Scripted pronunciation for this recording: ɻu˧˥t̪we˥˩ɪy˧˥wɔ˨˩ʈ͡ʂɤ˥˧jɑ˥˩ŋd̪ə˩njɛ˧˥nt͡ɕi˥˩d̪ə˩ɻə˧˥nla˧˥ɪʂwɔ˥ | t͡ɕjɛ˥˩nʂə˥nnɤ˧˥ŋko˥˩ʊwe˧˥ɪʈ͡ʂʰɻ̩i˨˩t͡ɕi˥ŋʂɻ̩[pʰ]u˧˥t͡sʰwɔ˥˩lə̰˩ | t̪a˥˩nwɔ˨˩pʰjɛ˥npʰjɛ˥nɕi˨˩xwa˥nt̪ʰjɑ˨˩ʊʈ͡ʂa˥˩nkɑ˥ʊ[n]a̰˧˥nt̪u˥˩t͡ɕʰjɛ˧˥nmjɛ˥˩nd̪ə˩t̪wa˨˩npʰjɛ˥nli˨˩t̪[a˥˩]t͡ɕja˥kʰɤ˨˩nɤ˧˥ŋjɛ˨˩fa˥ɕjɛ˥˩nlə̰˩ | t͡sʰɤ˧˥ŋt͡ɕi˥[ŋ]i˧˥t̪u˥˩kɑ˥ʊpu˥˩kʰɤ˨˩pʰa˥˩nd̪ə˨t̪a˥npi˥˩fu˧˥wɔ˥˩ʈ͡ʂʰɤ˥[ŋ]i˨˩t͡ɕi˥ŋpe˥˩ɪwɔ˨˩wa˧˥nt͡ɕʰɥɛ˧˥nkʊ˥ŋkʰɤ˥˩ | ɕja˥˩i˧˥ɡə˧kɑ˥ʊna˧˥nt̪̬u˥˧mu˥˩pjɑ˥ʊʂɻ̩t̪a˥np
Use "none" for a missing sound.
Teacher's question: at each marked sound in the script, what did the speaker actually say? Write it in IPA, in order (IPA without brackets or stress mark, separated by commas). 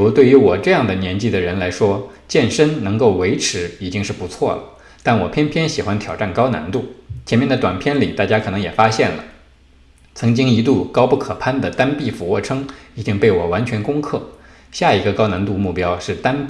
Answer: p, n, a˥˩, ŋ, ŋ